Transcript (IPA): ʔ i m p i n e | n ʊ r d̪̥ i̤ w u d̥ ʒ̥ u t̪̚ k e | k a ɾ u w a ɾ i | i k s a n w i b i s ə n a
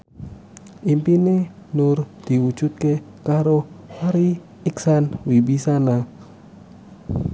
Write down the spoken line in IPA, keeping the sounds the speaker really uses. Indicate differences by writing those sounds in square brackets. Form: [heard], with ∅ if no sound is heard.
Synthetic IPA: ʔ i m p i n e | n ʊ r d̪̥ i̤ w u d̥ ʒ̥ u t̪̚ k e | k a ɾ [o] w a ɾ i | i k s a n w i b i s [a] n a